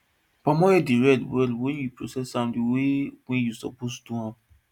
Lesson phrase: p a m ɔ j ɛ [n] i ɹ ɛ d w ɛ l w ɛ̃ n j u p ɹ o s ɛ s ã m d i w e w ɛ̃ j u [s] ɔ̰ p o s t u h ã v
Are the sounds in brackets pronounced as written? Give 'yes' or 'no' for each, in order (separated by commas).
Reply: no, yes